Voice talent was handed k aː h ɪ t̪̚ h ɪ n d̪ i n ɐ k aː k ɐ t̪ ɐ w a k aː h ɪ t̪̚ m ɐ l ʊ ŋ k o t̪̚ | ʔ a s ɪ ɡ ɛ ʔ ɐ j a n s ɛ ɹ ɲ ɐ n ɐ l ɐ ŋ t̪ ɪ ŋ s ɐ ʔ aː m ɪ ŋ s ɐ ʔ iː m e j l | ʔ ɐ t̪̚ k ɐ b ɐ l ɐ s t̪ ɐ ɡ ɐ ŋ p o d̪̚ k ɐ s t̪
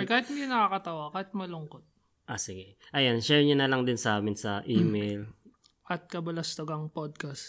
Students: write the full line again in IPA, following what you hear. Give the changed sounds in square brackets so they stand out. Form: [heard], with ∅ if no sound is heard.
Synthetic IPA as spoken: k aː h ɪ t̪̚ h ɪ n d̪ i n ɐ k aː k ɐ t̪ ɐ w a k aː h ɪ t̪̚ m ɐ l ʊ ŋ k o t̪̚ | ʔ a s ɪ ɡ ɛ ʔ ɐ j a n [ʃ] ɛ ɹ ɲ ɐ n ɐ l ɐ ŋ [d̪] ɪ [n] s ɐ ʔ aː m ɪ [n] s ɐ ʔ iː m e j l | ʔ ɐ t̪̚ k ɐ b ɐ l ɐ s t̪ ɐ ɡ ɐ ŋ p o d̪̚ k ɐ s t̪